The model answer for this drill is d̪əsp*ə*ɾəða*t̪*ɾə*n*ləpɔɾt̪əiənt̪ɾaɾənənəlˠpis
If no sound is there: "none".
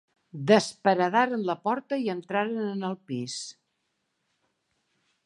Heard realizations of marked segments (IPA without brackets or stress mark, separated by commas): ə, none, n